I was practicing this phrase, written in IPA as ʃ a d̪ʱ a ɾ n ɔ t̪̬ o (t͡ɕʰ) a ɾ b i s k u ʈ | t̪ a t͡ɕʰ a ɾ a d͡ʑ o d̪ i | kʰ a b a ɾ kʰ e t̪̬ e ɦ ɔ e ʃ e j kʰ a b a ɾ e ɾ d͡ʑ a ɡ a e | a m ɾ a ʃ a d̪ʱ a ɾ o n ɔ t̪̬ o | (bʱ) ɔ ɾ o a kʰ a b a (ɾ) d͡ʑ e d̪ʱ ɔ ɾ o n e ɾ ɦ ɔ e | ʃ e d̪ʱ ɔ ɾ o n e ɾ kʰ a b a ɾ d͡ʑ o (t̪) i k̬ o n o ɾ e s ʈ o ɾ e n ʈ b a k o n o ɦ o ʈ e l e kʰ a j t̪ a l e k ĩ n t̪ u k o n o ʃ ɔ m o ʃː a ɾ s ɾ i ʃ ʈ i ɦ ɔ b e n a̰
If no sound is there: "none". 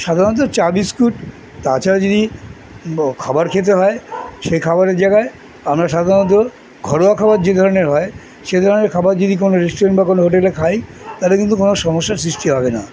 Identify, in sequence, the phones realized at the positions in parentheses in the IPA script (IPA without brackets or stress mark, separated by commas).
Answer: t͡ɕ, ɡʱ, ɾ, d̪